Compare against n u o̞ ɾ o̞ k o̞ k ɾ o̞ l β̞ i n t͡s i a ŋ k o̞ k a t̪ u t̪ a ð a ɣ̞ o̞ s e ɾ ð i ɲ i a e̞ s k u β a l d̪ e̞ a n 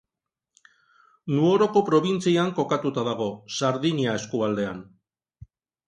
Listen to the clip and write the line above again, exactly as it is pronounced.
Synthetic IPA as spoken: n u o̞ ɾ o̞ k o̞ p ɾ o̞ β̞ i n t͡s i a ŋ k o̞ k a t̪ u t̪ a ð a ɣ̞ o̞ s a ɾ ð i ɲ i a e̞ s k u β a l d̪ e̞ a n